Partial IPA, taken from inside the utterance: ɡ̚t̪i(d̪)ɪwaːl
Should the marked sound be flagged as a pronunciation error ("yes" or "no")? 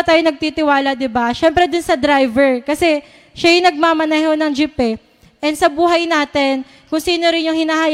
yes